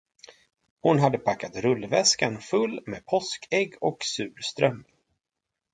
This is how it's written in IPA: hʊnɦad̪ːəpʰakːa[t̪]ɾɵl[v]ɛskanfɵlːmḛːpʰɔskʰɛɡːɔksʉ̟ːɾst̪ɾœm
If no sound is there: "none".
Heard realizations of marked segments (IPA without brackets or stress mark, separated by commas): t̪, v